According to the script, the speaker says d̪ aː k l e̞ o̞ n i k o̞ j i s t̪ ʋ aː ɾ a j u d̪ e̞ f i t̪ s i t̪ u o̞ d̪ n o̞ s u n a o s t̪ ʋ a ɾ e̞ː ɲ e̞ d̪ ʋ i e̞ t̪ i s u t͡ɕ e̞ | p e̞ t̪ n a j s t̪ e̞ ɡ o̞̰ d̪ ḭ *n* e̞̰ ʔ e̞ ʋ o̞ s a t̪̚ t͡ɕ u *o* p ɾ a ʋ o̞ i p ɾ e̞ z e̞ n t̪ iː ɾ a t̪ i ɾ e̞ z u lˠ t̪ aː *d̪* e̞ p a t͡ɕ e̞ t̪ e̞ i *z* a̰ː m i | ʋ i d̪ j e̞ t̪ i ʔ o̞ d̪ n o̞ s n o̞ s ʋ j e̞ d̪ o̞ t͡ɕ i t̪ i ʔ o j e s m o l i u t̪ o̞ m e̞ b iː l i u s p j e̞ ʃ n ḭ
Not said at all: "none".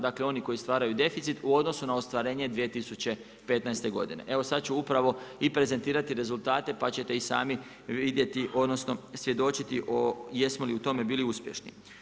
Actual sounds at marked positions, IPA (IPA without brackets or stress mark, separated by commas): n, u, t̪, s